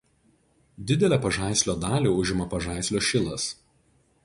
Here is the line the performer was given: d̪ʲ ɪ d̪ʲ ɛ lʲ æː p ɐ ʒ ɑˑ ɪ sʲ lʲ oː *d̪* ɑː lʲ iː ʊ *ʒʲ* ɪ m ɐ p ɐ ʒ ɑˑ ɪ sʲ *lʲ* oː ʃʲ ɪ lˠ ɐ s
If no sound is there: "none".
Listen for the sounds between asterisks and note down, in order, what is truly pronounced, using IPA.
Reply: d̪, ʒʲ, lʲ

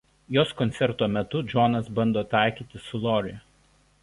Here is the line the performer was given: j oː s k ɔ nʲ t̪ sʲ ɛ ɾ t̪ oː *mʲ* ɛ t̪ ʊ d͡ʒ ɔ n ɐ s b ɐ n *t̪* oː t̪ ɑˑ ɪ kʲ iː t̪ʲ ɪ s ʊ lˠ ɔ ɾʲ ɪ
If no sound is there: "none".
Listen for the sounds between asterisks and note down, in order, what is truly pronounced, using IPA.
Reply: mʲ, d̪

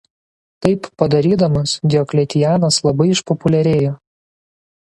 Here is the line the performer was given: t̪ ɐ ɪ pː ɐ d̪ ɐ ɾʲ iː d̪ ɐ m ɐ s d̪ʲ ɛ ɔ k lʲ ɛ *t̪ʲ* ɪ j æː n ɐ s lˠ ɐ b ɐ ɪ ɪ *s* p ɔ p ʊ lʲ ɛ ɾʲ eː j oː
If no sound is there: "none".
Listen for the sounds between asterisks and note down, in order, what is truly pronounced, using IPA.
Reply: t̪ʲ, ʃ

